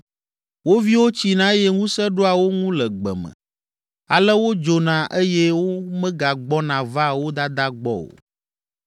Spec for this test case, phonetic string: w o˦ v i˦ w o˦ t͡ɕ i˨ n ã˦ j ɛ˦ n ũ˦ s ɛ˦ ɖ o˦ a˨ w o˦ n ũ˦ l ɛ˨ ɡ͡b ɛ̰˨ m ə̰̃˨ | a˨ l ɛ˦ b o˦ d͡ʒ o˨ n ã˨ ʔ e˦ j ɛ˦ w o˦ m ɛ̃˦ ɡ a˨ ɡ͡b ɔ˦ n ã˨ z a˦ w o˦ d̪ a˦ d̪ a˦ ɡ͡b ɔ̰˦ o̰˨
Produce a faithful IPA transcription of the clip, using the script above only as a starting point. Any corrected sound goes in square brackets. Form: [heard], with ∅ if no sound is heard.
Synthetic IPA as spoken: w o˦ v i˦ w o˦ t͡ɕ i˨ n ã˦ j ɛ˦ [ŋ] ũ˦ s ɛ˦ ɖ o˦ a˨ w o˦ [ŋ] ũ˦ l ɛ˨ ɡ͡b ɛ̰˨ m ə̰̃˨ | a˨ l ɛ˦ [w] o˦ d͡ʒ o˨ n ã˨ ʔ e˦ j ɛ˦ w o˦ m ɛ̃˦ ɡ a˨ ɡ͡b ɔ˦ n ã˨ [v] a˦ w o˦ d̪ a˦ d̪ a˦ ɡ͡b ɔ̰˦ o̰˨

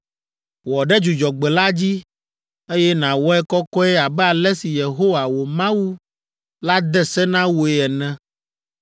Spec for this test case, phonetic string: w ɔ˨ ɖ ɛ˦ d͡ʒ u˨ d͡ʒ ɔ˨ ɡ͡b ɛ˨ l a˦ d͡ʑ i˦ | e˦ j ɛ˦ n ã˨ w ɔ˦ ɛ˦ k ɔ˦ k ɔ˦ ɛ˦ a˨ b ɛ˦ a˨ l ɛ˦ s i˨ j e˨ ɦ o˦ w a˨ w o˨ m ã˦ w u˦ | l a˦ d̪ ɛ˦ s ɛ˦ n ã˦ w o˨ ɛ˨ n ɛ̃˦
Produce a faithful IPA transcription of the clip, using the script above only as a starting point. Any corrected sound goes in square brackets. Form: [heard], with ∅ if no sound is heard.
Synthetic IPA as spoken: w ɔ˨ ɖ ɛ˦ d͡ʒ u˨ d͡ʒ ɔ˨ ɡ͡b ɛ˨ l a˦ d͡ʑ i˦ | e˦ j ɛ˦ n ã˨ w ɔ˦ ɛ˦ k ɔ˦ k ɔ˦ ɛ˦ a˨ b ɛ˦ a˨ l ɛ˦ s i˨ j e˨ ɦ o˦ w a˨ w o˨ m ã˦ w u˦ | l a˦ d̪ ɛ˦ s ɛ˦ n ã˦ w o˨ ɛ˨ n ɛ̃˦

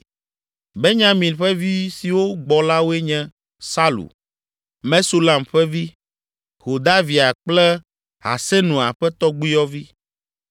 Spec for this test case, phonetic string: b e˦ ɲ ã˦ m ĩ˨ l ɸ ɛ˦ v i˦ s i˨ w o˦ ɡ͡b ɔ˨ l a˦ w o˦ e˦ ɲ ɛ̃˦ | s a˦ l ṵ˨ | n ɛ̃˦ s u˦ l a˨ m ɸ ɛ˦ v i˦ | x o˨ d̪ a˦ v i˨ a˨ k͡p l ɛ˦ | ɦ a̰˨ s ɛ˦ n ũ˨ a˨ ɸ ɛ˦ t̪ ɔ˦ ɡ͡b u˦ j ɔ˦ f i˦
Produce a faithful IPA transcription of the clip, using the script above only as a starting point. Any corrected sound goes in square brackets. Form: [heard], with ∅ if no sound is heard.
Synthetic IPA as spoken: b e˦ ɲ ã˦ m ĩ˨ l ɸ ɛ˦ v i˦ s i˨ w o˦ ɡ͡b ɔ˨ l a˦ w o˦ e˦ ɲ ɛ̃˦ | s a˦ l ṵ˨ | [m] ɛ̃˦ s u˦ l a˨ m ɸ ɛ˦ v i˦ | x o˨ d̪ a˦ v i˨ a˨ k͡p l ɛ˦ | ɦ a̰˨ s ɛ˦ n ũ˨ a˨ ɸ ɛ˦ t̪ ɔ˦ ɡ͡b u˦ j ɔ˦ [v] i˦

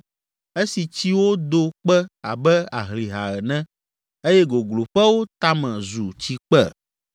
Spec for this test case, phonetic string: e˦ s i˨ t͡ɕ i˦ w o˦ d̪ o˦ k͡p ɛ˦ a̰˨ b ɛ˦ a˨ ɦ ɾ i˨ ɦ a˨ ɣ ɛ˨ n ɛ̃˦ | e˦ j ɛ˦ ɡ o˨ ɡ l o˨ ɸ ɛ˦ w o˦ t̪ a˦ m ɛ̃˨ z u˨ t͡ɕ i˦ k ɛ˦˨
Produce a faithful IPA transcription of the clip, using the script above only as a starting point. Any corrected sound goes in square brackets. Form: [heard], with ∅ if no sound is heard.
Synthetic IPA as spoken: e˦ s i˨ t͡ɕ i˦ w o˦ d̪ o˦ k͡p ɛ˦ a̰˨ b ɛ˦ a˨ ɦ [l] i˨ ɦ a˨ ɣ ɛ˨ n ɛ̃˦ | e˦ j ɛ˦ ɡ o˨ ɡ l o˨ ɸ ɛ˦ w o˦ t̪ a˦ m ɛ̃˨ z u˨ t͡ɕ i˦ [k͡p] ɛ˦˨

